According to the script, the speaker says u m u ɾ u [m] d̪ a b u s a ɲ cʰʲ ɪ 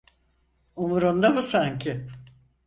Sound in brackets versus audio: incorrect: n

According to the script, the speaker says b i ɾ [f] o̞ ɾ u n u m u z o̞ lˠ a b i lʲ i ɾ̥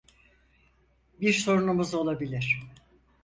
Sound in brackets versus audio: incorrect: s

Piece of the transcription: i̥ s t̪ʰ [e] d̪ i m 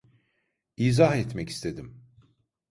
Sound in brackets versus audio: correct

